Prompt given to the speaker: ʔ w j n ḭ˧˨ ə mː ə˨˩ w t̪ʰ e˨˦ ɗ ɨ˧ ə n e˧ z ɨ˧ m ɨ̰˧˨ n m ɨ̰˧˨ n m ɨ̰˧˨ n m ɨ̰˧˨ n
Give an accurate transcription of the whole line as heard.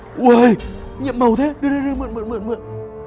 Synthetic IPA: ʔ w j ɲ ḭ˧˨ ə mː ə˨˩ w t̪ʰ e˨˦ ɗ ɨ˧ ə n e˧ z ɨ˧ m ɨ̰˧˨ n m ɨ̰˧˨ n m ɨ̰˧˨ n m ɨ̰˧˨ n